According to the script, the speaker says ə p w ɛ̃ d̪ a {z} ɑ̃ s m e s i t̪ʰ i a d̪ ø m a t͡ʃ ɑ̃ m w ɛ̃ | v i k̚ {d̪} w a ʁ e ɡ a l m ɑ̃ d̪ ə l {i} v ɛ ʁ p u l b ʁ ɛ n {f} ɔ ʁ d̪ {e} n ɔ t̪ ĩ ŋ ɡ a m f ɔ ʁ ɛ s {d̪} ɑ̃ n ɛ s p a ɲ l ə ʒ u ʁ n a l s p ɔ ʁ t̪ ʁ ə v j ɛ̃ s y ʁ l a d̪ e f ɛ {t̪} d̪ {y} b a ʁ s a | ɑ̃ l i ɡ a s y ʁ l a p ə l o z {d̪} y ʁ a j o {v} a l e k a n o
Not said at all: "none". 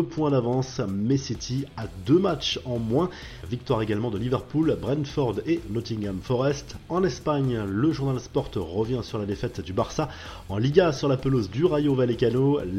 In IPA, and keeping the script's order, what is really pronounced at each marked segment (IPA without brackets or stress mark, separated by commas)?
v, t̪, i, f, e, t̪, t̪, y, d̪, v